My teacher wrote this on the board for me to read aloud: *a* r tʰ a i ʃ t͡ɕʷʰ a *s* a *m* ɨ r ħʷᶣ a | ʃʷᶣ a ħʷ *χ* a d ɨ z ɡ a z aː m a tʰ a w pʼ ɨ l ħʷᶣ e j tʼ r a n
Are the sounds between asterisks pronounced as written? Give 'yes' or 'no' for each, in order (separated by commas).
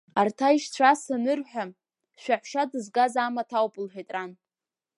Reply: yes, yes, no, no